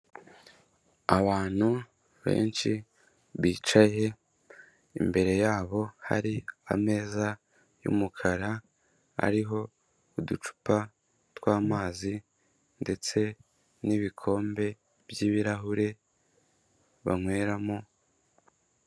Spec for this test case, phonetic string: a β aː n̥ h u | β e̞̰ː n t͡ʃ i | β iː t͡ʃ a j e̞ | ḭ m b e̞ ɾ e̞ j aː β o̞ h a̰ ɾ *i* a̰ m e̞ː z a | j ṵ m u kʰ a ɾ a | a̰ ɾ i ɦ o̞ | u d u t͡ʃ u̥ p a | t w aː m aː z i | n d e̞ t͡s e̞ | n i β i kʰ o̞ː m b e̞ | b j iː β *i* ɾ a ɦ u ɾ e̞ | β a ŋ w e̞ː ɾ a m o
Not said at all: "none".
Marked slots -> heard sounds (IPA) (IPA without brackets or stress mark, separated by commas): i, i